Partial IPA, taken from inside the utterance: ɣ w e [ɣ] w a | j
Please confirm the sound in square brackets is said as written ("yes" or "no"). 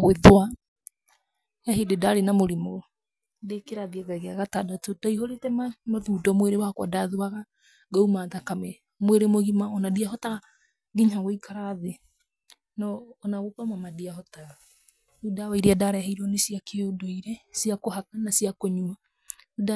no